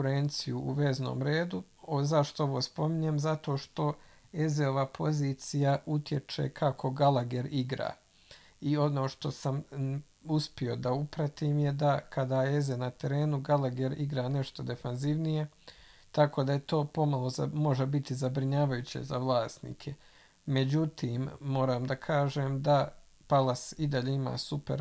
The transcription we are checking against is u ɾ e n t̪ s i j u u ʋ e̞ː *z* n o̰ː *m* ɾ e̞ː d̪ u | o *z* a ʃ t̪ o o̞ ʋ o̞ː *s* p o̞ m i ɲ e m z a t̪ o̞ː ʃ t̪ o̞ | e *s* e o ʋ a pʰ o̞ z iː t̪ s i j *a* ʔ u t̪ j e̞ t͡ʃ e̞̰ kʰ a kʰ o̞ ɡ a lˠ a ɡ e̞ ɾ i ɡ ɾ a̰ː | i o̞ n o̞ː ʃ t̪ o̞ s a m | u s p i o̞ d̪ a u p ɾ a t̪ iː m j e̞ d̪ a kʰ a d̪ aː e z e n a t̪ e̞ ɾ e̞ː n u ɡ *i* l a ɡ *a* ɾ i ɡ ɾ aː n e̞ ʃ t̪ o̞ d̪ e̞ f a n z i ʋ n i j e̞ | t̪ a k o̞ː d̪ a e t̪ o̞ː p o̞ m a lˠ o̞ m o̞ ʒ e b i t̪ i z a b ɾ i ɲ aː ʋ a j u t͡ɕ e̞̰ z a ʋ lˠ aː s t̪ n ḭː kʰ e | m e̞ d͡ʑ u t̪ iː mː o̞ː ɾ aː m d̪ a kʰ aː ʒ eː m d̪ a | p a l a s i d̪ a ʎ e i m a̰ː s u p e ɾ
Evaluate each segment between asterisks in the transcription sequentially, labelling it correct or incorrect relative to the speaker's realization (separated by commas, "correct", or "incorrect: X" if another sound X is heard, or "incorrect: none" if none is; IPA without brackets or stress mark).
correct, correct, correct, correct, incorrect: z, correct, incorrect: a, incorrect: e